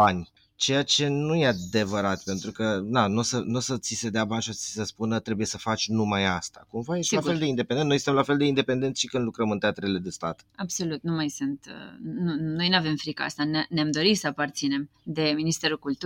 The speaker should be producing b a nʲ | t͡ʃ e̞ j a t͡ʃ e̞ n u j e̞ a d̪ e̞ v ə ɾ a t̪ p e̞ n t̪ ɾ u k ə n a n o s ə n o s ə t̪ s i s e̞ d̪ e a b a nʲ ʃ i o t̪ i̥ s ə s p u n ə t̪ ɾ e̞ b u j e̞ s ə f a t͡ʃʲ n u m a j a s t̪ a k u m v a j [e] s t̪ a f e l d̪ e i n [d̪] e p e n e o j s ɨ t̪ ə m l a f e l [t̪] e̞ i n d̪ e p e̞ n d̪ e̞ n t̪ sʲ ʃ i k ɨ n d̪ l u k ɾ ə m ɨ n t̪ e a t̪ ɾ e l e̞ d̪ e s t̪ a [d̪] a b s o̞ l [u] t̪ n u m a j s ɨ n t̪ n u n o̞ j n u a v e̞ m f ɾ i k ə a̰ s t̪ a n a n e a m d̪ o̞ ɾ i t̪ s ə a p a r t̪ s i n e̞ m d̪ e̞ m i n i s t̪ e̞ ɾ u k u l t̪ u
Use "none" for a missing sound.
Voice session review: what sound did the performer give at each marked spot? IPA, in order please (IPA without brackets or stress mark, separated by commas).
e, d̪, d̪, t̪, u